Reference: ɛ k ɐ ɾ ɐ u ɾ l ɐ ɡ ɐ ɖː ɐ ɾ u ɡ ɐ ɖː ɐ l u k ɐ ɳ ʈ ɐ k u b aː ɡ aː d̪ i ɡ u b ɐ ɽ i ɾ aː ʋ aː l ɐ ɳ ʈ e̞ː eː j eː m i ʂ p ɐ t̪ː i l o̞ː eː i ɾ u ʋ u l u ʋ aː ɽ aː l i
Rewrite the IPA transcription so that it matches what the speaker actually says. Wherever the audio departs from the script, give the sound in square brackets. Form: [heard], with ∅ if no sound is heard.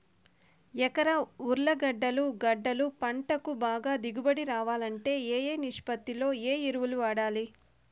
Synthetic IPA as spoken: ɛ k ɐ ɾ ɐ u ɾ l ɐ ɡ ɐ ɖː ɐ [l] u ɡ ɐ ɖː ɐ l u [p] ɐ ɳ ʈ ɐ k u b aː ɡ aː d̪ i ɡ u b ɐ ɽ i ɾ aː ʋ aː l ɐ ɳ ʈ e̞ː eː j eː [n] i ʂ p ɐ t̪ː i l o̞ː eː i ɾ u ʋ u l u ʋ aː ɽ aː l i